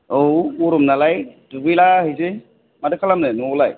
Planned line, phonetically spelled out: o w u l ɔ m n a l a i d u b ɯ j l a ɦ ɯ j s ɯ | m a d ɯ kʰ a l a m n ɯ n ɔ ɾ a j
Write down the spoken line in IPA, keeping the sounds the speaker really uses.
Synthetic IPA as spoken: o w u ɾ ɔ m n a l a j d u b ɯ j l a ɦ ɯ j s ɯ | m a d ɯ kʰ a l a m n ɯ n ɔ l a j